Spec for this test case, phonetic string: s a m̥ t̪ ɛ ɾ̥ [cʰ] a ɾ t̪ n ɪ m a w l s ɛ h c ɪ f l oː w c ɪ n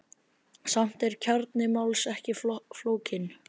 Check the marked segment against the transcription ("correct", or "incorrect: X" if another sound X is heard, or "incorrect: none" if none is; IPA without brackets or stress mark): correct